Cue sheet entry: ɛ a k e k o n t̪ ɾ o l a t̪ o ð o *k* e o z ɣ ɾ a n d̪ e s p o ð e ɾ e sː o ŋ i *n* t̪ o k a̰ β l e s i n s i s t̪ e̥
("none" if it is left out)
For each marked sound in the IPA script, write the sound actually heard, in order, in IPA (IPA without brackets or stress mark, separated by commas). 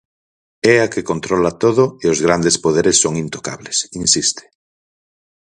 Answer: none, n